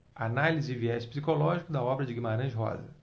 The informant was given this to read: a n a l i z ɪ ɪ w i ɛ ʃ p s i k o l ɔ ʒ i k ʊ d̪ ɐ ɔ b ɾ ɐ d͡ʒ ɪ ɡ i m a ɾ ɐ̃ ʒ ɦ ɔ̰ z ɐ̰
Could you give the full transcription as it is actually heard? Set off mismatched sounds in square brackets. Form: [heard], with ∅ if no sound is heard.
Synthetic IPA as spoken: a n a l i z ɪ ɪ [v] i ɛ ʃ p s i k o l ɔ ʒ i k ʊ d̪ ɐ ɔ b ɾ ɐ d͡ʒ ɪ ɡ i m a ɾ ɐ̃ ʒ ɦ ɔ̰ z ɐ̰